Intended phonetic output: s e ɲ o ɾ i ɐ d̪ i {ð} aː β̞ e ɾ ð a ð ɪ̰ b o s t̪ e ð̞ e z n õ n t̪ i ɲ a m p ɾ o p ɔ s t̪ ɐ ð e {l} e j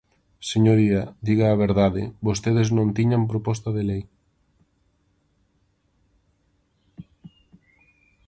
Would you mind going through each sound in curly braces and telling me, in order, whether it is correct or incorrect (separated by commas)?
incorrect, correct